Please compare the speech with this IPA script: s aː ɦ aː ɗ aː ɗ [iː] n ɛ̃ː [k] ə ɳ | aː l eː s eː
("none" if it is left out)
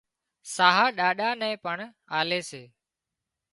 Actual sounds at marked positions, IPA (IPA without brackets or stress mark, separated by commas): aː, p